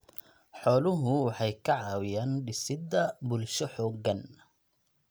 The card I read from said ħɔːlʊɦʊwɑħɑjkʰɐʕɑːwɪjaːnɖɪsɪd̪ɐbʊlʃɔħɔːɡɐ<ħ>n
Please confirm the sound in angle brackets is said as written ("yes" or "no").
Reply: no